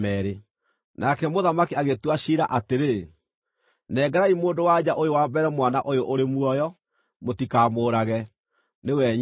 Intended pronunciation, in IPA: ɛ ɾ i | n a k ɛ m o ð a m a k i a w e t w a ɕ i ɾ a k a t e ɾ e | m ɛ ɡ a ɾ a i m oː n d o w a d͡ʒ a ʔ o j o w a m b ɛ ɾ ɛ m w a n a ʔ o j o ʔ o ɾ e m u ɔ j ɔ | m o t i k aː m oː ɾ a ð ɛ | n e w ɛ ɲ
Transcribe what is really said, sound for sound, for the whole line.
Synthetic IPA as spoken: ɛ ɾ e | n a k ɛ m o ð a m a k i a ɣ e t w a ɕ i ɾ a ʔ a t e ɾ e | n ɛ ɡ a ɾ a i m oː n d o w a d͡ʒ a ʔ o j o w a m b ɛ ɾ ɛ m w a n a ʔ o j o ʔ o ɾ e m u ɔ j ɔ | m o t i k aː m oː ɾ a ɣ ɛ | n e w ɛ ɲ